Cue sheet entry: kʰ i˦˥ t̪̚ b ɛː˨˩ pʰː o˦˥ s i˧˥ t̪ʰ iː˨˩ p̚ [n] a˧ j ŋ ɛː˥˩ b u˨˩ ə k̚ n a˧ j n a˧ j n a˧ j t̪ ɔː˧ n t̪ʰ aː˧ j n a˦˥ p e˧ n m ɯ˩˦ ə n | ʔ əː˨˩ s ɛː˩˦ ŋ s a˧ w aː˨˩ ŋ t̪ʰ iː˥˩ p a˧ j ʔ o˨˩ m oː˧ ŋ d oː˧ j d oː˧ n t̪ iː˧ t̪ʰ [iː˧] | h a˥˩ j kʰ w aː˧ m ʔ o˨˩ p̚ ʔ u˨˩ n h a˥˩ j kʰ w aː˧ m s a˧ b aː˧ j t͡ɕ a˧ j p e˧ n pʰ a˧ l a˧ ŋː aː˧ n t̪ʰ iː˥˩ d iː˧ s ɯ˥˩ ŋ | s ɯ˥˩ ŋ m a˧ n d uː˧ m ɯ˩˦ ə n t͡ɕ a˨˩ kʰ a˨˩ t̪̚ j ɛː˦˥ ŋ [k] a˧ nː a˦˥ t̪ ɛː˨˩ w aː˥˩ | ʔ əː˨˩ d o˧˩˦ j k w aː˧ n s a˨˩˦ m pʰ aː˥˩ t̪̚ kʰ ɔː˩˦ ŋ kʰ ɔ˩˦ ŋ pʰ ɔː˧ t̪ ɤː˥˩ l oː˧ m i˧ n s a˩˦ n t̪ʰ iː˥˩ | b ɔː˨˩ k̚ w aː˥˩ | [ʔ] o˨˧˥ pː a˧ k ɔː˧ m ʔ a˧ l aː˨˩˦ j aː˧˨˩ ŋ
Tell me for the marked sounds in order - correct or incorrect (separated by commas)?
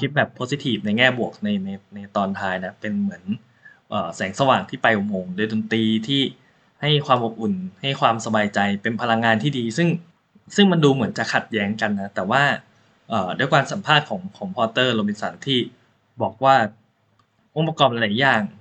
correct, incorrect, correct, correct